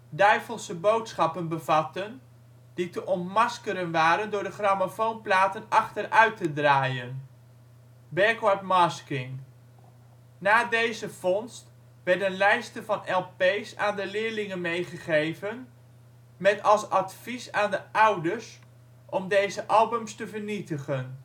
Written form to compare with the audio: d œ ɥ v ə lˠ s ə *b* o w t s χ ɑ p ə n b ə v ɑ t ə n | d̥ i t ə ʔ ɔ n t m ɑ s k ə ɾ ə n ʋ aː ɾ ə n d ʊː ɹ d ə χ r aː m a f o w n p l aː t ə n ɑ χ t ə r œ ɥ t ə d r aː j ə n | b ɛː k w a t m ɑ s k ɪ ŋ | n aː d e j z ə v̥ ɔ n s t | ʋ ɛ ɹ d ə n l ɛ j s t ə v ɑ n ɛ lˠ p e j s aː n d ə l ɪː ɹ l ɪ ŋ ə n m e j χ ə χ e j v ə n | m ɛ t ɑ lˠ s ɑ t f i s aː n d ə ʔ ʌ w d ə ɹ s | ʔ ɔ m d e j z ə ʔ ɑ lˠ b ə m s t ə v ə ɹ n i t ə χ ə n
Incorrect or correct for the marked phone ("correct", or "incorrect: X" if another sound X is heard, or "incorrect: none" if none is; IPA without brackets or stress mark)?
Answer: correct